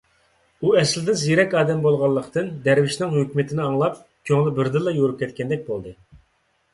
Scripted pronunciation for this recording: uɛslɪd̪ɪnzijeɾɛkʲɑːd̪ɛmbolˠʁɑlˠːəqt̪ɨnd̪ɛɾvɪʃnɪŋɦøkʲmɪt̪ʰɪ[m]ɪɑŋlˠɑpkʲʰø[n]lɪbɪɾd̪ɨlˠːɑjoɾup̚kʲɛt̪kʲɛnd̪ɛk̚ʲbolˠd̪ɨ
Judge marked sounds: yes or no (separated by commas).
no, no